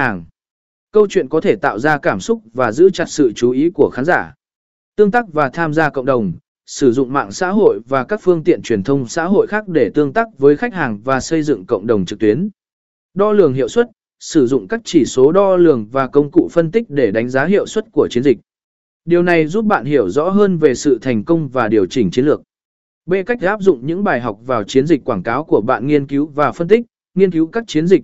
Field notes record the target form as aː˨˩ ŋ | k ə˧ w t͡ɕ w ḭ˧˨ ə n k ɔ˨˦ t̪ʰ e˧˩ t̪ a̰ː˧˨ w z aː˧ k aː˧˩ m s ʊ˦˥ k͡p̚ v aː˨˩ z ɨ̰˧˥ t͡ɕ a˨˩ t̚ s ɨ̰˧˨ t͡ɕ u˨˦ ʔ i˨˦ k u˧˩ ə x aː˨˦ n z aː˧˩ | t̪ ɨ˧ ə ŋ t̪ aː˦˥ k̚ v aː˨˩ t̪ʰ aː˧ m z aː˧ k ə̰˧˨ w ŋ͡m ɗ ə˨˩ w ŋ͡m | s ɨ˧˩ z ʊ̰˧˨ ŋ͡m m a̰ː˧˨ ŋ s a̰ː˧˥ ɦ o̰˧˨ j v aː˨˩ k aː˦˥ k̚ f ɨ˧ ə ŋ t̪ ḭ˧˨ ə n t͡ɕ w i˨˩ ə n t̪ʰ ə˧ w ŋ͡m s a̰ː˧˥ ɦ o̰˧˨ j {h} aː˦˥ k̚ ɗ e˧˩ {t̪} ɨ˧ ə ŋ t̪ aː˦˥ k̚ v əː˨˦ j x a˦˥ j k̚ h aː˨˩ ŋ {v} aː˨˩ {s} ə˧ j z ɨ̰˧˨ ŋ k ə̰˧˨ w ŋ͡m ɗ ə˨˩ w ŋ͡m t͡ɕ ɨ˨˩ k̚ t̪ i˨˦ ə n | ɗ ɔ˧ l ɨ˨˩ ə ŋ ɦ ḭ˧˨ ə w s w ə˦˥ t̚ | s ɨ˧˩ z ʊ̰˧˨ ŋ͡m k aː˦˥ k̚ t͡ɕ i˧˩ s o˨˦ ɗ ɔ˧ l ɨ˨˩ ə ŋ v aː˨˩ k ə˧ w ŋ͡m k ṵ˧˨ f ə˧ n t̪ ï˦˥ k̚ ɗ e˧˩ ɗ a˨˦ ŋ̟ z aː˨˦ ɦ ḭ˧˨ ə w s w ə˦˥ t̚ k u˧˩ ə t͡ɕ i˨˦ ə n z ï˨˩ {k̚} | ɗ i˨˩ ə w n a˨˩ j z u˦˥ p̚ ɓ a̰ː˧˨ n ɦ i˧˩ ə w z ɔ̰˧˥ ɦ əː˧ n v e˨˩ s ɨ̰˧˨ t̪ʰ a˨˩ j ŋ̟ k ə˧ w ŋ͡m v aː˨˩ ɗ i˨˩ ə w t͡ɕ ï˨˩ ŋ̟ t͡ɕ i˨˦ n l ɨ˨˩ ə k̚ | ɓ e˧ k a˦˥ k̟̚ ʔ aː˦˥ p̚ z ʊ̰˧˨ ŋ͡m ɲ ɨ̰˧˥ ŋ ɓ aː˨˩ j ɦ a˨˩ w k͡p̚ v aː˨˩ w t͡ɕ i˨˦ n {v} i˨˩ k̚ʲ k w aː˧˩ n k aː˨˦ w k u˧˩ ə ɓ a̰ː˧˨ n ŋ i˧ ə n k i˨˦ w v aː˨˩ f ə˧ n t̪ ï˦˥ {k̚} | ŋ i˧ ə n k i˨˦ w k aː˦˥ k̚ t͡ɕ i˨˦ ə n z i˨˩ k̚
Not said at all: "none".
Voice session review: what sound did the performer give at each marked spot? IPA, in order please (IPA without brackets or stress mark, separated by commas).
x, t̪, v, s, k̚, z, k̚